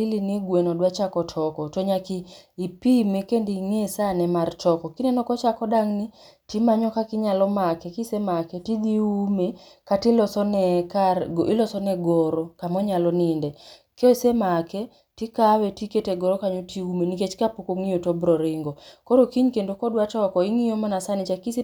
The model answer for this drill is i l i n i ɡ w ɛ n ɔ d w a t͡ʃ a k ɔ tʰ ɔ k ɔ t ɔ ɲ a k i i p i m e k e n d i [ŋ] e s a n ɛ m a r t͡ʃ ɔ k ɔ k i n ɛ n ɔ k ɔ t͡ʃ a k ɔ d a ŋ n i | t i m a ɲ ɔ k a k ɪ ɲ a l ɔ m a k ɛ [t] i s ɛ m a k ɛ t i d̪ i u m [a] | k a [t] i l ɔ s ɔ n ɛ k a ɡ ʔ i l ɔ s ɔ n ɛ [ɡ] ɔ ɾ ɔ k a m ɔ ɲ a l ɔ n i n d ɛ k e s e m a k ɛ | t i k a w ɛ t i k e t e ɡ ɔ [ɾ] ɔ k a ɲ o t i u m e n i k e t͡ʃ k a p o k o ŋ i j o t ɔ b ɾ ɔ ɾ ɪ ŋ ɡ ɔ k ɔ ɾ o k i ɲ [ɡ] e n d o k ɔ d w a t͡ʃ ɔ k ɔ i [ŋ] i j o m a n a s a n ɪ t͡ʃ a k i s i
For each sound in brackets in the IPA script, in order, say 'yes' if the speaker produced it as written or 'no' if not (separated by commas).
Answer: yes, no, no, yes, yes, yes, no, yes